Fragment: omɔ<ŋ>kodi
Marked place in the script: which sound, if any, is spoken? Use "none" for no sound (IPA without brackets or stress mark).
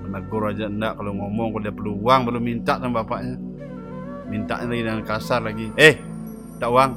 ŋ